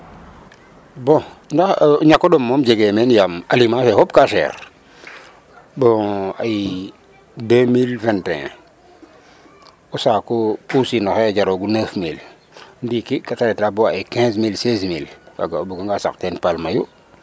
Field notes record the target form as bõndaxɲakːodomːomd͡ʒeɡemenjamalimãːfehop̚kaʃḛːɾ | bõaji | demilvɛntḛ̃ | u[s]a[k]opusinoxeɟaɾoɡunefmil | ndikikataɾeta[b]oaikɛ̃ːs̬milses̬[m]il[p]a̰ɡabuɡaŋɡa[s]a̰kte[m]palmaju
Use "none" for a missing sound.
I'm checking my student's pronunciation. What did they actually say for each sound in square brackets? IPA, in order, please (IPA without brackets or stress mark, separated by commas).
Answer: s, k, b, m, k, s, n